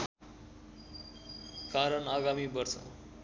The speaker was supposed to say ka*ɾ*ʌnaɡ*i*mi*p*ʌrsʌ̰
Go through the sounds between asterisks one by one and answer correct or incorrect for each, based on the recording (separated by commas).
correct, incorrect, incorrect